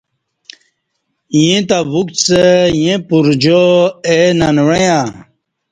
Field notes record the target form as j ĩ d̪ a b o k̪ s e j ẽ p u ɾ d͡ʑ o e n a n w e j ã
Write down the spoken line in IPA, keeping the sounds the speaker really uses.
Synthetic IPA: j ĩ t̪ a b u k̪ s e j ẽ p u ɾ d͡ʑ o e n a n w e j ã